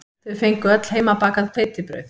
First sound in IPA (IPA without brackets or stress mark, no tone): θ